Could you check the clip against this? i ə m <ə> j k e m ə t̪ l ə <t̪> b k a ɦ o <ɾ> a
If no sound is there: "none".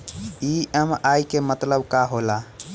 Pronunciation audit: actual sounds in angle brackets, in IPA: a, none, l

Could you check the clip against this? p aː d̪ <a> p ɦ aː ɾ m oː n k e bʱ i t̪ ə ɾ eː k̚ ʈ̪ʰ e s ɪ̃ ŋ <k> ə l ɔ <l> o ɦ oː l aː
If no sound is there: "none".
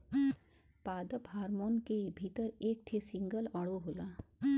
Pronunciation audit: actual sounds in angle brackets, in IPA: ə, ɡ, ɽ

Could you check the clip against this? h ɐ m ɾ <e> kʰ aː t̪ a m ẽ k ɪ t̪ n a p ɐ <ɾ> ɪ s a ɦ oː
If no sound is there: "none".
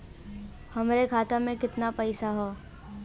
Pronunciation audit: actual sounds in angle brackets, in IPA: e, none

